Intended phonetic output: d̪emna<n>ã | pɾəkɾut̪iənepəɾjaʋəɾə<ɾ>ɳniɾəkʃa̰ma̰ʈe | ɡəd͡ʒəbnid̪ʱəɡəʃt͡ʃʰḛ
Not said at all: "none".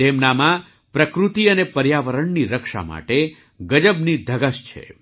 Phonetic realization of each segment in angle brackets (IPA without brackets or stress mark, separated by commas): m, none